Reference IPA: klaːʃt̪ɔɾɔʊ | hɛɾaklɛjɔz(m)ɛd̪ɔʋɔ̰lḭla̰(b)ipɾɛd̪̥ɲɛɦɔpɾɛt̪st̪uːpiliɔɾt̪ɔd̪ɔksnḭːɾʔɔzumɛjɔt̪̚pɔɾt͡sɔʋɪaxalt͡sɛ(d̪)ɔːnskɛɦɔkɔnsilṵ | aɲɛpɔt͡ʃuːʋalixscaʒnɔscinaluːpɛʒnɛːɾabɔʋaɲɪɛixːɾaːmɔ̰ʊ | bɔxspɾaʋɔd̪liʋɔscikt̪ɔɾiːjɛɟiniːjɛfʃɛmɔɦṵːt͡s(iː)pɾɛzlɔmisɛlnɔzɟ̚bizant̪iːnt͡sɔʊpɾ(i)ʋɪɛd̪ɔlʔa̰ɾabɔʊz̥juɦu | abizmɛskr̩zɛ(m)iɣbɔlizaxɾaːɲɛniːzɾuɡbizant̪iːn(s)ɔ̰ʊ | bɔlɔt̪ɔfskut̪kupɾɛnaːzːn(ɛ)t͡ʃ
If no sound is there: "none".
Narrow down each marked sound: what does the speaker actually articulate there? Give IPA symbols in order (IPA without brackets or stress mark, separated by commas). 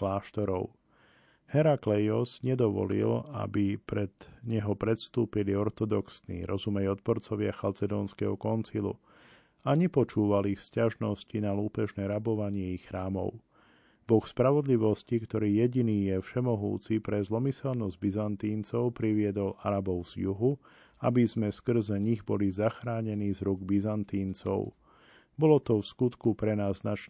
ɲ, b, d̪, i, i, ɲ, t͡s, a